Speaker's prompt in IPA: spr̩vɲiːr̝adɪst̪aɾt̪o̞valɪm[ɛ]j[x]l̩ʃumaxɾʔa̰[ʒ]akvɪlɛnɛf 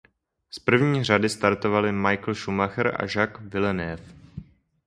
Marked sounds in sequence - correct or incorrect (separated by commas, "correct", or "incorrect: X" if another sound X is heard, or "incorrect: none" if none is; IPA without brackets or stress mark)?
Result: incorrect: a, incorrect: k, correct